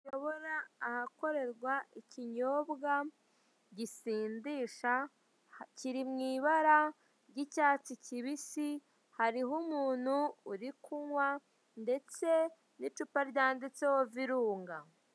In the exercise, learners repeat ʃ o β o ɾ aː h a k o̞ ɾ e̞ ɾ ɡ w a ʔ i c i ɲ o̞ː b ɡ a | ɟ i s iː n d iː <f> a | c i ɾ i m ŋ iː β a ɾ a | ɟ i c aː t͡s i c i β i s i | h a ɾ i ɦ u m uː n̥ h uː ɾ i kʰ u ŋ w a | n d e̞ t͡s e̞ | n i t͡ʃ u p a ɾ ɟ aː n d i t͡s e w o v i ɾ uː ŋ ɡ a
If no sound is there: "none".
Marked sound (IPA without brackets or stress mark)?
ʃ